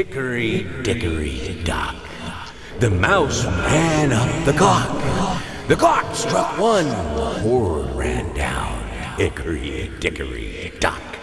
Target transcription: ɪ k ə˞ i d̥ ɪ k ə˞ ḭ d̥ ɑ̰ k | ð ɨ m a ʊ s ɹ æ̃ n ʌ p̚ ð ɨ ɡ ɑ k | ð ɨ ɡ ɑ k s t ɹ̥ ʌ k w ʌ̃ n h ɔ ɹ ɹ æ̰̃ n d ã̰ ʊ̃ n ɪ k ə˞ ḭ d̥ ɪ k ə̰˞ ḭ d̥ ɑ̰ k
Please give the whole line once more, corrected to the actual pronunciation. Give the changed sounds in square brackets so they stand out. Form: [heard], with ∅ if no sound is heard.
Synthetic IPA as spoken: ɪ k ə˞ i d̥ ɪ k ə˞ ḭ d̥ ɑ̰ k | ð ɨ m a ʊ s ɹ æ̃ n ʌ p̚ ð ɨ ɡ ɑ k | ð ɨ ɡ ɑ k s t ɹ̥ ʌ k w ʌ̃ n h ɔ ɹ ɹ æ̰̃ n d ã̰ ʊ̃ n ɪ k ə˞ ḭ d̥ ɪ k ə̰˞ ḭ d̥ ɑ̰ k